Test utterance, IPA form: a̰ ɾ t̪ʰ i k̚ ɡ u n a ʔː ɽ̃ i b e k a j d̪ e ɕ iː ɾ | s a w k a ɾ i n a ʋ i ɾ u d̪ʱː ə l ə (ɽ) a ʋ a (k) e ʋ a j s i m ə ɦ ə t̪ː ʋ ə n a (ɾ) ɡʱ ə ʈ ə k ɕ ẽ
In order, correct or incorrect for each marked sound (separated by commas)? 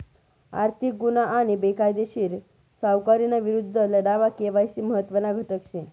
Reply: correct, correct, incorrect